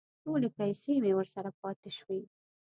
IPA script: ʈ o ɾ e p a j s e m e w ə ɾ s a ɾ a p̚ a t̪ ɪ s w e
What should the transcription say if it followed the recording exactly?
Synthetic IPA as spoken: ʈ o l e p a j s e m e w ə ɾ s a ɾ a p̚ ɑ t̪ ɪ ʃ w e